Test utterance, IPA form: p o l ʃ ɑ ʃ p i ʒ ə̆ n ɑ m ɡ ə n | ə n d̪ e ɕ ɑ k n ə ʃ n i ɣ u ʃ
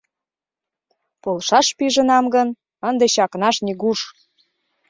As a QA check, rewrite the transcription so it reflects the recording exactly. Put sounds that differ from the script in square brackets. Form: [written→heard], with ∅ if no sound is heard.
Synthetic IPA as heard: p o l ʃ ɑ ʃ p i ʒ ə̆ n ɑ m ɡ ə n | ə n d̪ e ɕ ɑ k n [ə→ɑ] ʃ n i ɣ u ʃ